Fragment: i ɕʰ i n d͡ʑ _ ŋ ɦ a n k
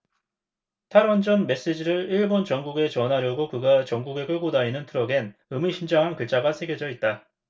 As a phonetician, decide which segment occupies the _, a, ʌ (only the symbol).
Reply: a